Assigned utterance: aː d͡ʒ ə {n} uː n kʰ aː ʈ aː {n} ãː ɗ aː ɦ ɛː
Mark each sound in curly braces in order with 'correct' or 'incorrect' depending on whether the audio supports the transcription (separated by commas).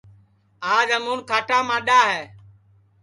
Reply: incorrect, incorrect